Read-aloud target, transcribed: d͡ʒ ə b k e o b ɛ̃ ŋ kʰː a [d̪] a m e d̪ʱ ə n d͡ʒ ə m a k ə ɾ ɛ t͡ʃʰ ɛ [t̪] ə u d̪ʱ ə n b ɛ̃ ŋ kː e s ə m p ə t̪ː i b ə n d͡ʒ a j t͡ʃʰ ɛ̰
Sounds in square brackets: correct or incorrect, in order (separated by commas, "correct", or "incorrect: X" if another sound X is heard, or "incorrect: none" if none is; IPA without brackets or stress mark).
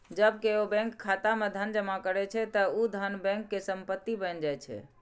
incorrect: t̪, correct